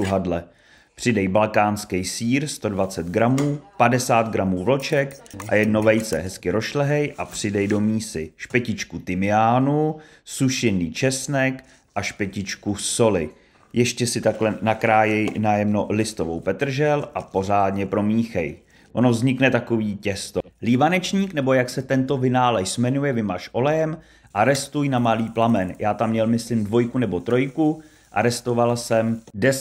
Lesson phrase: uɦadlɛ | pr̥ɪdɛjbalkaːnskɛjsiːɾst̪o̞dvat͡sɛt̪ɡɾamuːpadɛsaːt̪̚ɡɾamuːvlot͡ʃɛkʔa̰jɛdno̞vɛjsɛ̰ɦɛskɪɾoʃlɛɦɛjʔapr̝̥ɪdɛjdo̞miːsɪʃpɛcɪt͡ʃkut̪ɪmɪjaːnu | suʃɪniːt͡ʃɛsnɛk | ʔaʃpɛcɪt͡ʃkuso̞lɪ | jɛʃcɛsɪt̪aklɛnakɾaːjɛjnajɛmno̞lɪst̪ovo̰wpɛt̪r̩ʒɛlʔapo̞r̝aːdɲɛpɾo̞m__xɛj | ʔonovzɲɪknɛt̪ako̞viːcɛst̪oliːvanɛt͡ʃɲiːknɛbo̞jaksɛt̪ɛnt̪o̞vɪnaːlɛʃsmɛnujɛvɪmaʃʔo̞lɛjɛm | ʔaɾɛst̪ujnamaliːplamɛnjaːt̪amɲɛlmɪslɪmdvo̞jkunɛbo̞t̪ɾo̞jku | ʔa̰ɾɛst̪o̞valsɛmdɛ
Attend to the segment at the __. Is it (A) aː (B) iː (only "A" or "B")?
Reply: B